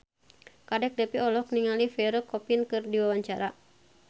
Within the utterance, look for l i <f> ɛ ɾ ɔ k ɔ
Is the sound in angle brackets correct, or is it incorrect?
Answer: correct